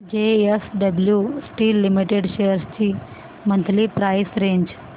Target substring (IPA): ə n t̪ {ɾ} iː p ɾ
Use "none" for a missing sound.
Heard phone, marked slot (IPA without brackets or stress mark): l